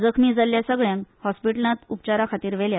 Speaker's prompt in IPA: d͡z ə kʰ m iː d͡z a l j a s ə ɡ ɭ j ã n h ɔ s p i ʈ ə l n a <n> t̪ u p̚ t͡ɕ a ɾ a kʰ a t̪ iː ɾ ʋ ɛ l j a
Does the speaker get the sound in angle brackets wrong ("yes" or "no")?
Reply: yes